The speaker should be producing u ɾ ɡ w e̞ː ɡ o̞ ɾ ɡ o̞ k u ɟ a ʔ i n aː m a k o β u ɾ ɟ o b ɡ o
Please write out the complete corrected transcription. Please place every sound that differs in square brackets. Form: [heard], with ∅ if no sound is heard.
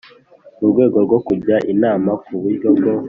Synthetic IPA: u ɾ ɡ w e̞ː ɡ o̞ ɾ ɡ o̞ k u ɟ a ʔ i n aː m a k [u] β u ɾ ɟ o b ɡ o